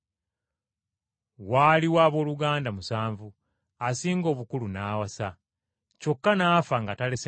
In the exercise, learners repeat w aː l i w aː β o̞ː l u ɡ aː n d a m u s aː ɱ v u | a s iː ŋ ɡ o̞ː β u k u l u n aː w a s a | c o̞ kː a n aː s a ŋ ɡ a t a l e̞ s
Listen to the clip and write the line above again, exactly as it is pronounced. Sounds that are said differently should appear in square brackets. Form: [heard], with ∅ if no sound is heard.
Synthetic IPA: w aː l i w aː β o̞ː l u ɡ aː n d a m u s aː ɱ v u | a s iː ŋ ɡ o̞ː β u k u l u n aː w a s a | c o̞ kː a n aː [f] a ŋ ɡ a t a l e̞ s